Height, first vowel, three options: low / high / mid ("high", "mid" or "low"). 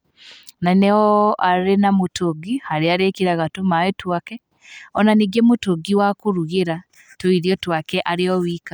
low